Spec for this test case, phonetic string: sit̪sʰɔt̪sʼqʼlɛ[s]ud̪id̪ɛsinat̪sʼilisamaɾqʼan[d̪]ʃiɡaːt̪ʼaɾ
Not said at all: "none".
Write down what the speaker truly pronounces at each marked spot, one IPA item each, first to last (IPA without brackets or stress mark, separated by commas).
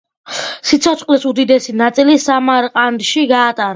s, d̪